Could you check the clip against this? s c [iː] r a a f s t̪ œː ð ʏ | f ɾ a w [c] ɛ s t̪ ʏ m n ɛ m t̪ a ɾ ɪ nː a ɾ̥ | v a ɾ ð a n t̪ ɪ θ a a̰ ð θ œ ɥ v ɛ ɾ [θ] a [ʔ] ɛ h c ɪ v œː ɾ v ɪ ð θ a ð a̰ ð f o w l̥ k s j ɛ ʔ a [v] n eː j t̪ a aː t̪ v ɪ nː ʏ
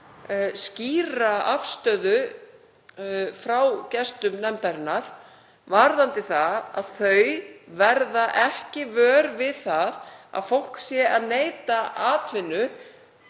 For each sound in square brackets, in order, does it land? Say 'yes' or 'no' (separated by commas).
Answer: yes, yes, no, yes, no